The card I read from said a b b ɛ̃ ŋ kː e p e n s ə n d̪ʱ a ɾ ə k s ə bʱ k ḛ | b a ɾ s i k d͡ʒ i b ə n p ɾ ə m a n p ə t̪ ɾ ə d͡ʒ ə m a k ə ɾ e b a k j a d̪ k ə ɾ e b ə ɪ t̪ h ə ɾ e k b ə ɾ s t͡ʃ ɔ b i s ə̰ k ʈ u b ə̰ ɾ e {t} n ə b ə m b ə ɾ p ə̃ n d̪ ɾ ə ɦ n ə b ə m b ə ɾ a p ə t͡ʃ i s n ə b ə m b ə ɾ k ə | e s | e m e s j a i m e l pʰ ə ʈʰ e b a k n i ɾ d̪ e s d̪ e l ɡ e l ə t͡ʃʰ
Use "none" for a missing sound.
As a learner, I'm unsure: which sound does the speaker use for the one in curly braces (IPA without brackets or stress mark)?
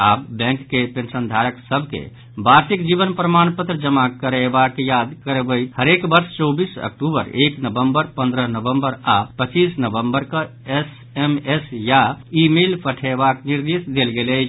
k